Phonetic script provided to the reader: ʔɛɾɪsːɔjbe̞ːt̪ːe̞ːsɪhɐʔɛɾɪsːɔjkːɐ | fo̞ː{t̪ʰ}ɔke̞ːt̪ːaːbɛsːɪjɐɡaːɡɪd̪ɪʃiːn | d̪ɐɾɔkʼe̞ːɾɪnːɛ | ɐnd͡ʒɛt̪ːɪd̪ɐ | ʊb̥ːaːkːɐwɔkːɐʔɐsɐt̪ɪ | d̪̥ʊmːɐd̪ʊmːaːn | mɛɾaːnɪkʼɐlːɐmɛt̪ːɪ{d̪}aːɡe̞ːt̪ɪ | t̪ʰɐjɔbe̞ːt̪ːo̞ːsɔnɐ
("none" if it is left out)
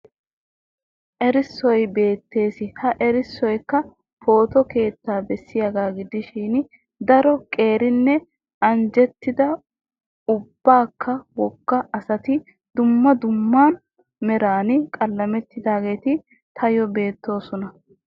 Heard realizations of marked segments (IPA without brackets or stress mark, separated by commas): t̪, d̪